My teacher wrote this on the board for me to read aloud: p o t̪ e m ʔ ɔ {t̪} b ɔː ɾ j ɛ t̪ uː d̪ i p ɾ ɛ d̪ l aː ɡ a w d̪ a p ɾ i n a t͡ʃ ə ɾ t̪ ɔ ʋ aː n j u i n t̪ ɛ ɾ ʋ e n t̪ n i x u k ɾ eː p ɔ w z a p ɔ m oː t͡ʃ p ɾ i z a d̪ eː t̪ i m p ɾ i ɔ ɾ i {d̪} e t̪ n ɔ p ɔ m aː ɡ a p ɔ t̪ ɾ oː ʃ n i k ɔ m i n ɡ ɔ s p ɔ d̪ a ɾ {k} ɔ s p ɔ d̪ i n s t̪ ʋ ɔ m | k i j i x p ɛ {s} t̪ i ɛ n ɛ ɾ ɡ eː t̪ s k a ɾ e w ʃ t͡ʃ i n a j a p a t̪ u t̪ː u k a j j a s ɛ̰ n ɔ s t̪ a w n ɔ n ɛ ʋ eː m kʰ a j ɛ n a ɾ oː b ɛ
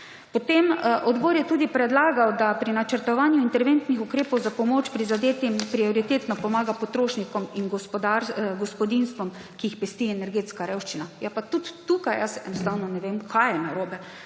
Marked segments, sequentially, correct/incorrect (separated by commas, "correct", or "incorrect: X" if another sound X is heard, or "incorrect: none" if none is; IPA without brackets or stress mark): incorrect: d̪, incorrect: t̪, incorrect: ɡ, correct